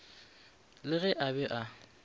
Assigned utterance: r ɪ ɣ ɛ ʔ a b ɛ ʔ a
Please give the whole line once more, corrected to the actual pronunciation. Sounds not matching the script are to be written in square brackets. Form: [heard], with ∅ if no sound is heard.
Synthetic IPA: [l] ɪ ɣ ɛ ʔ a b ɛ ʔ a